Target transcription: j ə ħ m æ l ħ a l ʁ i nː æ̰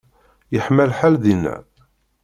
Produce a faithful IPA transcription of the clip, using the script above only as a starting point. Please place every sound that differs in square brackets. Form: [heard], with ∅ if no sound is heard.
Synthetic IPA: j ə ħ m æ l ħ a l [ð] i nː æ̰